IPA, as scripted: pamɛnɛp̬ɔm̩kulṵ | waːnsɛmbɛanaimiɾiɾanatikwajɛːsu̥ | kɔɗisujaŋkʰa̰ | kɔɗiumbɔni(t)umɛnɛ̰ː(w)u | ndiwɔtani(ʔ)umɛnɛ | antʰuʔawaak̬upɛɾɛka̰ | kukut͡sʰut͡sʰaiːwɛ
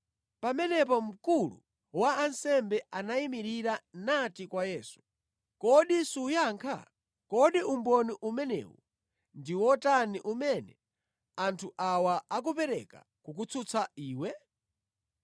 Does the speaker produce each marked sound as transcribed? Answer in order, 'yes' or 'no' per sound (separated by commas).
no, yes, yes